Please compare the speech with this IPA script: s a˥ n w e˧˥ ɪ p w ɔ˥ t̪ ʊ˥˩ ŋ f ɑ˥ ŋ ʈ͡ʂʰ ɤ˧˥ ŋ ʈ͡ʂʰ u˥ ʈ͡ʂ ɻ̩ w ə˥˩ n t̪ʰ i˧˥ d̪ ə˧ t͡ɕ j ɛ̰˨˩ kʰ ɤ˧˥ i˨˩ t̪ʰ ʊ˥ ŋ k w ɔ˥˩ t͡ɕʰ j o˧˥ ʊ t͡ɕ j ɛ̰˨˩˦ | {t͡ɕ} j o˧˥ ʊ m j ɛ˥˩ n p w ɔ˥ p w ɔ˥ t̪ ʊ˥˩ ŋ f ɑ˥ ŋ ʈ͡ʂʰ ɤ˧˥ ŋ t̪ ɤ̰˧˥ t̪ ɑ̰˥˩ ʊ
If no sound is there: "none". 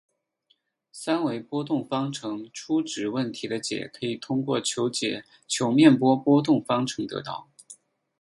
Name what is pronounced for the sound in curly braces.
t͡ɕʰ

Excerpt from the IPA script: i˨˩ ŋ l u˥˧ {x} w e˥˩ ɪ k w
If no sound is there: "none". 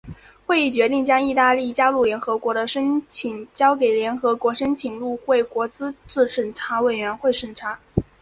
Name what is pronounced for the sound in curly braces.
x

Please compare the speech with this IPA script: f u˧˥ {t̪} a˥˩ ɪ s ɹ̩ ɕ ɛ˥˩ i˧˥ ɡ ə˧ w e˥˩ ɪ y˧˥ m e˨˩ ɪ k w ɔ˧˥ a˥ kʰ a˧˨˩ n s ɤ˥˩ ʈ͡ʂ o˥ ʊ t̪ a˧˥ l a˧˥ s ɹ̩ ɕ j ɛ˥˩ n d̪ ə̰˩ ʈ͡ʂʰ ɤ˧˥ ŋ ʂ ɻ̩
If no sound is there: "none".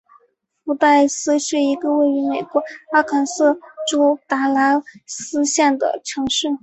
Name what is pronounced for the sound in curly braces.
t̪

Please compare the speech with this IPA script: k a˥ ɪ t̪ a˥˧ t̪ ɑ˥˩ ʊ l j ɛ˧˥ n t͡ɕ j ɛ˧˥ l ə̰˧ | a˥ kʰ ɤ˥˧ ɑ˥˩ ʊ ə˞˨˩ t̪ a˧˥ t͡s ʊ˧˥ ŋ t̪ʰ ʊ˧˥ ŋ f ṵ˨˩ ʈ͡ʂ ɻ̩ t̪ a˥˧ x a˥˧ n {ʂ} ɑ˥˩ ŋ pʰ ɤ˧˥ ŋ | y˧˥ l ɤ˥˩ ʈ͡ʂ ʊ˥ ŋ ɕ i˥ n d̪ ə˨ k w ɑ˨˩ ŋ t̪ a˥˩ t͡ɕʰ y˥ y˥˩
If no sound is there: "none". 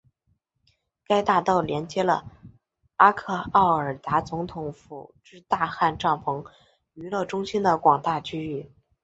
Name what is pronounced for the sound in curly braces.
ʈ͡ʂ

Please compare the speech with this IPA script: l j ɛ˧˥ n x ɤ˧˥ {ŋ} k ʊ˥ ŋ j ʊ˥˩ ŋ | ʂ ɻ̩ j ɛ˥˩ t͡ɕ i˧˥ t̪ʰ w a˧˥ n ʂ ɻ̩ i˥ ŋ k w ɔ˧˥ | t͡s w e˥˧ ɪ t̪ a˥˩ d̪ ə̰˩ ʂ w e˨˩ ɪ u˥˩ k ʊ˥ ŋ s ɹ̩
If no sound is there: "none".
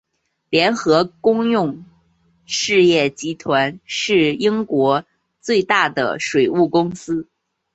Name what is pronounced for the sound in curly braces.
none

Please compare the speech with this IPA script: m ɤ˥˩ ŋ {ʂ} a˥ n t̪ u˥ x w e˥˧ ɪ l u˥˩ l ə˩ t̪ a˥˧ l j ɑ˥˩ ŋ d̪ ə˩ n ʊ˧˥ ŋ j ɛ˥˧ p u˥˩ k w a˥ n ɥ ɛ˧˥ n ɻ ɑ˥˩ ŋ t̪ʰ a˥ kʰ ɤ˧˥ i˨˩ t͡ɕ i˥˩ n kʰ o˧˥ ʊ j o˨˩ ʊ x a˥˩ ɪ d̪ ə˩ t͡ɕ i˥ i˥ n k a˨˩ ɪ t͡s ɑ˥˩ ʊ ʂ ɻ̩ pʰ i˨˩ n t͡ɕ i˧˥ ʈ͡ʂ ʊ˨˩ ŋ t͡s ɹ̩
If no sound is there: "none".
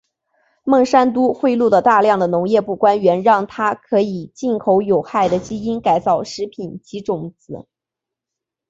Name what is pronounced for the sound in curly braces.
ʂ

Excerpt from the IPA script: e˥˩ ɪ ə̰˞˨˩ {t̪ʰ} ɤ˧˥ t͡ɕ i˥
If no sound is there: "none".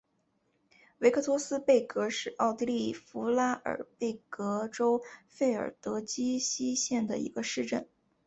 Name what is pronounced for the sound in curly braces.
t̪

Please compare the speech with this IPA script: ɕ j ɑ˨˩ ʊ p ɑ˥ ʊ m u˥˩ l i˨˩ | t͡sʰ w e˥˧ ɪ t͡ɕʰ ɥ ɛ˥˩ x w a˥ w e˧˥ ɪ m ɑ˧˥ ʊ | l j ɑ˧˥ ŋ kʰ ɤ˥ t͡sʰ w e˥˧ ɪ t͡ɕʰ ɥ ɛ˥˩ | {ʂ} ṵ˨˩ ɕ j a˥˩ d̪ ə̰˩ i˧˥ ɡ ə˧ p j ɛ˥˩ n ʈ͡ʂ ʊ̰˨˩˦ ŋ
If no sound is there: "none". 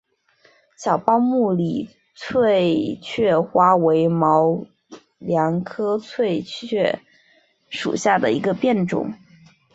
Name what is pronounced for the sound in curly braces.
ʂ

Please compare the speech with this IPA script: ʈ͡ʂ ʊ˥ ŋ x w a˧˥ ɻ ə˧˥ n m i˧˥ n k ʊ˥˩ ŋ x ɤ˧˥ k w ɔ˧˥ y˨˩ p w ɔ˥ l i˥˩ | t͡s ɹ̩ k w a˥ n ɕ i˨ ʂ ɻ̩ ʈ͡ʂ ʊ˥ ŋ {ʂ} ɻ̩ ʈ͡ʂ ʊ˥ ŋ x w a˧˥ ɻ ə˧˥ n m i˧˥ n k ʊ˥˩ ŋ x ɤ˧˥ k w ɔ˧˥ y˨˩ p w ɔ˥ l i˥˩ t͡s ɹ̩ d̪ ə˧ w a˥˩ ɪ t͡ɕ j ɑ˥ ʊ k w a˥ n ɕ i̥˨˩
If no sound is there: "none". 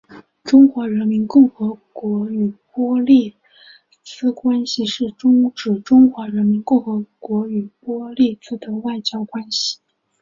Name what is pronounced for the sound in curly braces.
ʈ͡ʂ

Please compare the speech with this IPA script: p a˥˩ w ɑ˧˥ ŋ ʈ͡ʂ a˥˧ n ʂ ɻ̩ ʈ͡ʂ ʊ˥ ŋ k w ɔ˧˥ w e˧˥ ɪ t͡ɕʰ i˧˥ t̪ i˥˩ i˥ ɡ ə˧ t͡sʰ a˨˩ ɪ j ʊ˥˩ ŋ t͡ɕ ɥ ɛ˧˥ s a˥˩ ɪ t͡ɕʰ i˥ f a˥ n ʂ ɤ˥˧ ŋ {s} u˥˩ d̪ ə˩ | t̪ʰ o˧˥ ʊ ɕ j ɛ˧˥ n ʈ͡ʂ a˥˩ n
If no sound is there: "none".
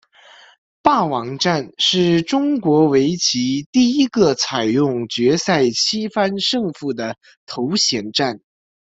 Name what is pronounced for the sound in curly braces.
f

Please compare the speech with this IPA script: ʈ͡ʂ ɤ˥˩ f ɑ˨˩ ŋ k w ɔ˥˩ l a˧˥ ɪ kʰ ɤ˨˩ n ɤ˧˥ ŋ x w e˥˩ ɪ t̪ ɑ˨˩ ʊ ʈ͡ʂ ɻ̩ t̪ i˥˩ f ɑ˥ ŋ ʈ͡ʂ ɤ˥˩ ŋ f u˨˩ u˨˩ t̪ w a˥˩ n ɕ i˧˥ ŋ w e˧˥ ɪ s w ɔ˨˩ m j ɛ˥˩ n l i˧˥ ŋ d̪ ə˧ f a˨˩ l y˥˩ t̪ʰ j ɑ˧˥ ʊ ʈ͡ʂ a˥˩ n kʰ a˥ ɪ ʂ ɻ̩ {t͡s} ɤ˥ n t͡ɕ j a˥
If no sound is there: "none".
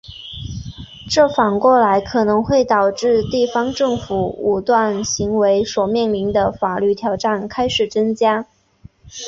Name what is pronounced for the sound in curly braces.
t͡s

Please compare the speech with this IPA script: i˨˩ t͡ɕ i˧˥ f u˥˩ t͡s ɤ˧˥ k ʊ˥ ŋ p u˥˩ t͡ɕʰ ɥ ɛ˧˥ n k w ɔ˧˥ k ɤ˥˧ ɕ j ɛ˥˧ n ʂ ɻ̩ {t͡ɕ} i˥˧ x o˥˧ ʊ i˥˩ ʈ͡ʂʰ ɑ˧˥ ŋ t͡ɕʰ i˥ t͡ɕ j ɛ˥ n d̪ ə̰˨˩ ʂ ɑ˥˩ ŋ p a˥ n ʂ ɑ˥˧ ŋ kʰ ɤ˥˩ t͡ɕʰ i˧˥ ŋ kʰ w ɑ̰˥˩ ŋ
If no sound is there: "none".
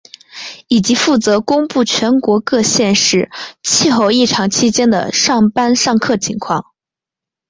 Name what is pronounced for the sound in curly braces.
t͡ɕʰ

